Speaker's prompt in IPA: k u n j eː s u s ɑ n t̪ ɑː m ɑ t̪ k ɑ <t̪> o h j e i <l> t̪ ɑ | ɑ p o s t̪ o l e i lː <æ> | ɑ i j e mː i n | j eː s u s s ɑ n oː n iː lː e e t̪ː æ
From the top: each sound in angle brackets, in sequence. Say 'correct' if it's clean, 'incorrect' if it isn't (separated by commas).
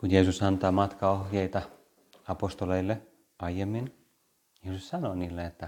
incorrect, incorrect, incorrect